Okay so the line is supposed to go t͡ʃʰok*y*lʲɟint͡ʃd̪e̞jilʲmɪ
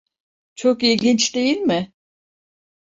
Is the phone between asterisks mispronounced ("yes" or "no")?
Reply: yes